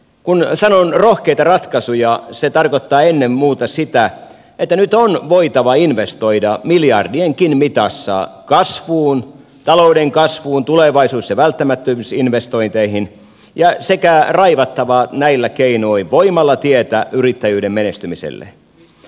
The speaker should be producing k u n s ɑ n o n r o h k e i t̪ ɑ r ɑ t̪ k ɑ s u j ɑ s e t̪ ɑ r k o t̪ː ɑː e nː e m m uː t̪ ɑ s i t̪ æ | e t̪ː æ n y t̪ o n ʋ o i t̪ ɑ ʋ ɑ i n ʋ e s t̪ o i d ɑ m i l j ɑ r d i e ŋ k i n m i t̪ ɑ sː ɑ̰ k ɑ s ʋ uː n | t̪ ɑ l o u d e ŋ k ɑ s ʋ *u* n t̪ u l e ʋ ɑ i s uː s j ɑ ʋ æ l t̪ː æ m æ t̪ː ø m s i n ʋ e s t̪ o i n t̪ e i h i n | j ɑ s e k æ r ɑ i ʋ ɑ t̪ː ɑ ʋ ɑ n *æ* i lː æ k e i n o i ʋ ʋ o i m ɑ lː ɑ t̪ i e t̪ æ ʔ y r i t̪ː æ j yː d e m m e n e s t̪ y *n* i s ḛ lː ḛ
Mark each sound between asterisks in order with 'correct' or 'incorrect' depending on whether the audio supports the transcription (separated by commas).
incorrect, correct, incorrect